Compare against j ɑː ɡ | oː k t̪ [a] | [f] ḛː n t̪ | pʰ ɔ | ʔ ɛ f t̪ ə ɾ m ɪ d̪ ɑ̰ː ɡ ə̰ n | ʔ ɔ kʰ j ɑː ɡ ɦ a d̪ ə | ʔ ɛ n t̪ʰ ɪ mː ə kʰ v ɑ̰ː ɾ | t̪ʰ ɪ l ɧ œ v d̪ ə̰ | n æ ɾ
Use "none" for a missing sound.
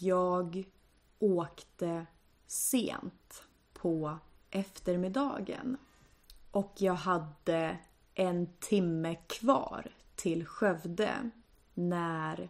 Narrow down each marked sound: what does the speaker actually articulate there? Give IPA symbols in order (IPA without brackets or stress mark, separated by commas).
ə, s